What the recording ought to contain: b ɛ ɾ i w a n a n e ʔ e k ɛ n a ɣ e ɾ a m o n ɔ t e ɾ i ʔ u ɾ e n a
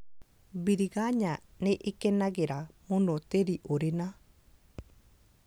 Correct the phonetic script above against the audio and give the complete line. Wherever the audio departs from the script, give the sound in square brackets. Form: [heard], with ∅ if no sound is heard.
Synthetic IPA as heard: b [i] ɾ i [ɣ] a [ɲ] a n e ʔ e k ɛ n a ɣ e ɾ a m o n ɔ t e ɾ i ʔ [o] ɾ e n a